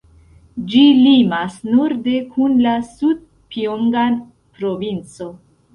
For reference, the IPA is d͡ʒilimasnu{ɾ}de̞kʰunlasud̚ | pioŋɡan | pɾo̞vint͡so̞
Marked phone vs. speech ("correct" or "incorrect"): correct